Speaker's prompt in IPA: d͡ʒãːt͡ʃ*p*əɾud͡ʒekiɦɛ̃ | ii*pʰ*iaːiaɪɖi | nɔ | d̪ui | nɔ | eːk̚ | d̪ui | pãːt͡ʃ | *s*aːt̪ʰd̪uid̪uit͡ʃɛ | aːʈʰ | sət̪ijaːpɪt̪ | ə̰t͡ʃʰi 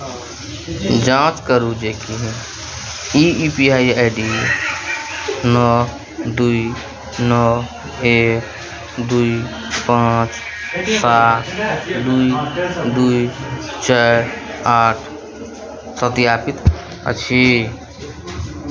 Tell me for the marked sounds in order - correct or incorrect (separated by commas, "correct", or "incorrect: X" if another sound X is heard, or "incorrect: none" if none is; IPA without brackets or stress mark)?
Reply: incorrect: k, incorrect: p, correct